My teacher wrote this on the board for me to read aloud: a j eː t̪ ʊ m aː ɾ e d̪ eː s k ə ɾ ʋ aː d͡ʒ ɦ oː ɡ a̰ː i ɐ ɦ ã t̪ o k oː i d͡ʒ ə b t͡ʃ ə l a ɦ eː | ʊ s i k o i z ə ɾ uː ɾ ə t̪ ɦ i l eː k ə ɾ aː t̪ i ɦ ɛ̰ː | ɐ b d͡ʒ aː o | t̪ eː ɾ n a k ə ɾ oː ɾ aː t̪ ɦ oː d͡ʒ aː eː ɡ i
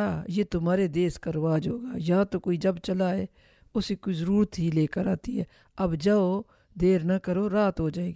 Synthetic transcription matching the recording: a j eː t̪ ʊ m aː ɾ e d̪ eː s k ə ɾ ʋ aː d͡ʒ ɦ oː ɡ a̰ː j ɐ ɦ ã t̪ o k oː i d͡ʒ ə b t͡ʃ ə l a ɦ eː | ʊ s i k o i z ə ɾ uː ɾ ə t̪ ɦ i l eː k ə ɾ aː t̪ i ɦ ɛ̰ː | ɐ b d͡ʒ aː o | d̪ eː ɾ n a k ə ɾ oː ɾ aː t̪ ɦ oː d͡ʒ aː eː ɡ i